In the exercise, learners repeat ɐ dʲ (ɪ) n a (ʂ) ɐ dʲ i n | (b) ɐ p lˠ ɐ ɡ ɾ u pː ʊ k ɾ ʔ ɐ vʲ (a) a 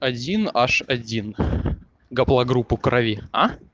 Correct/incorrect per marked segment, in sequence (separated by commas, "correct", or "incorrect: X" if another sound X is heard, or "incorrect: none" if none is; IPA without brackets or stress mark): incorrect: i, correct, incorrect: ɡ, incorrect: i